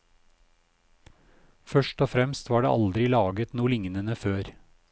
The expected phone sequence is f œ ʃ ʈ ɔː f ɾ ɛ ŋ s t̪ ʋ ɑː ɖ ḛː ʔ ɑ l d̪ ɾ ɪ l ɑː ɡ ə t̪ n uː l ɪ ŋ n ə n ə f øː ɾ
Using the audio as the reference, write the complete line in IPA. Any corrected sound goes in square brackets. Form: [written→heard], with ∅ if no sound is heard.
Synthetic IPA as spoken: f œ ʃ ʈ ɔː f ɾ ɛ [ŋ→m] s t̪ ʋ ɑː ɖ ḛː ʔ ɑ l d̪ ɾ ɪ l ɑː ɡ ə t̪ n uː l ɪ ŋ n ə n ə f øː ɾ